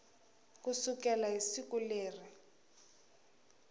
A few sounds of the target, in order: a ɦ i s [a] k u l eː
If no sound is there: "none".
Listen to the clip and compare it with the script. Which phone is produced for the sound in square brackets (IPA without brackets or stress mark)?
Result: i